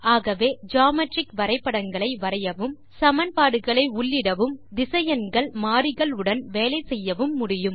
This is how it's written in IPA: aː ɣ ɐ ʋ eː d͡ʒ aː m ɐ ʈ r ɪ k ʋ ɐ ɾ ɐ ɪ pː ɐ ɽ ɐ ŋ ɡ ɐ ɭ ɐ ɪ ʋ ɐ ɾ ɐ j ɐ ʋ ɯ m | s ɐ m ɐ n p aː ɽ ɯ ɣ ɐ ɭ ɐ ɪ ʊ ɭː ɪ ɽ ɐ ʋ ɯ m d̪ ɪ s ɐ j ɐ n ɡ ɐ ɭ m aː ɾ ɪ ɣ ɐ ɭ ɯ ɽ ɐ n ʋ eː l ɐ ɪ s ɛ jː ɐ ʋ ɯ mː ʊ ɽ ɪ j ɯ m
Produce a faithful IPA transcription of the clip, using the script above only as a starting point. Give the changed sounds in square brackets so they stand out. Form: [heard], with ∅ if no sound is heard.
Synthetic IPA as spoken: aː ɣ ɐ ʋ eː d͡ʒ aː m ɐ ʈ r ɪ k ʋ ɐ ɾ ɐ ɪ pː ɐ ɽ ɐ ŋ ɡ ɐ ɭ ɐ ɪ ʋ ɐ ɾ ɐ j ɐ ʋ ɯ m | s ɐ m ɐ n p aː ɽ ɯ ɣ ɐ ɭ ɐ ɪ ʊ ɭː ɪ ɽ ɐ ʋ ɯ m d̪ ɪ s ɐ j ɐ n ɡ ɐ ɭ m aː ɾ ɪ ɣ ɐ ɭ ɯ ɽ ɐ n ʋ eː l ɐ ɪ s ɛ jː ɐ ʋ ɯ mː ʊ ɽ ɪ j ɯ m